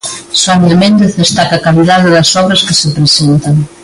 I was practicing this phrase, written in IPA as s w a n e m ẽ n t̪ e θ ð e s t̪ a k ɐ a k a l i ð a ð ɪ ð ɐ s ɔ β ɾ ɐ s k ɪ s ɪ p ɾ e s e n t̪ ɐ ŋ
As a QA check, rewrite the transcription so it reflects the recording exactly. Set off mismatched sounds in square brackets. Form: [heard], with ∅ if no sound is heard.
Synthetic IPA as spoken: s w a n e m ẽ n [d̪] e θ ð e s t̪ a k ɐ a k a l i ð a ð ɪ ð ɐ s ɔ β ɾ ɐ s k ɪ s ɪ p ɾ e s e n t̪ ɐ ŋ